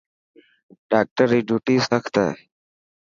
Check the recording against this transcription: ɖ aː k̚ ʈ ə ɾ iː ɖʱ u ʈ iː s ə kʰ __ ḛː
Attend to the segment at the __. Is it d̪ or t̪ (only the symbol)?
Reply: t̪